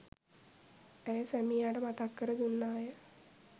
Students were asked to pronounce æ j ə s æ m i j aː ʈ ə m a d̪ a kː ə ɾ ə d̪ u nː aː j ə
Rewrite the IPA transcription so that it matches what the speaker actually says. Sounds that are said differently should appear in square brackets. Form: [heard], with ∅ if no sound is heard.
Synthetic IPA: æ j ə s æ m i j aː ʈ ə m a [t̪] a kː ə ɾ ə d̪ u nː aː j ə